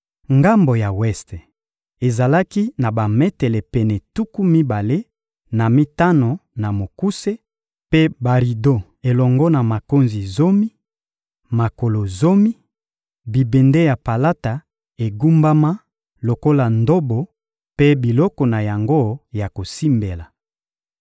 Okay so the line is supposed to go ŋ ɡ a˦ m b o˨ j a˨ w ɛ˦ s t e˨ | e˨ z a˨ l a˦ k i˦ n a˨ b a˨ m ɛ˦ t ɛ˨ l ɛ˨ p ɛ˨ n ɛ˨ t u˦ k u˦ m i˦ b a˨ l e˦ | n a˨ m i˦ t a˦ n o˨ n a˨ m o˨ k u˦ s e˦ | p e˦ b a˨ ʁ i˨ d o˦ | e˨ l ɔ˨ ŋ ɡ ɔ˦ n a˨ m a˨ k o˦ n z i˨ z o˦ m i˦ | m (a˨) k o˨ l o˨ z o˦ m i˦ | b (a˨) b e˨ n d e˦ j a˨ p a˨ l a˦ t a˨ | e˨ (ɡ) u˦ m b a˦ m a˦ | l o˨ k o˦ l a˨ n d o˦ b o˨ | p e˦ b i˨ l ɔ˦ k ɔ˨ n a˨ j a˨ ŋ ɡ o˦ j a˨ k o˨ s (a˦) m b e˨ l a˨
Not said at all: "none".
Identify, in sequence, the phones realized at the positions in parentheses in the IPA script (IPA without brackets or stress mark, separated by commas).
a˨, i˨, ɡ, i˦